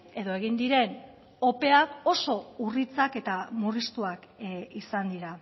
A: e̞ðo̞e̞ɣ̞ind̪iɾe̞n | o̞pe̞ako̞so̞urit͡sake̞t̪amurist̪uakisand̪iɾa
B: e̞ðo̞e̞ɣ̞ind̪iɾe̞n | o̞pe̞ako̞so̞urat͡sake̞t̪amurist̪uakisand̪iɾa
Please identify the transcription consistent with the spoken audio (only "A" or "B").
A